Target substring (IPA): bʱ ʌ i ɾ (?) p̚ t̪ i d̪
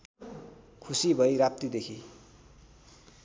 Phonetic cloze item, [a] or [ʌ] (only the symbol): a